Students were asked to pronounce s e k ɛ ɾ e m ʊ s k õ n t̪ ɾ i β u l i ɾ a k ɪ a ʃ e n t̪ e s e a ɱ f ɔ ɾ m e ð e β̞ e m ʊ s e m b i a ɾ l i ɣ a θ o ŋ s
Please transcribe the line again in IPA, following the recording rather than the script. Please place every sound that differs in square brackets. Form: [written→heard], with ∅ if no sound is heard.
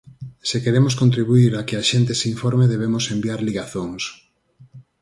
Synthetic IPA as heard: s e k [ɛ→e] ɾ e m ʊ s k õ n t̪ ɾ i β u [l→∅] i ɾ a k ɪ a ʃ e n t̪ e s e [a→i] ɱ f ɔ ɾ m e ð e β̞ e m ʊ s e m b i a ɾ l i ɣ a θ o ŋ s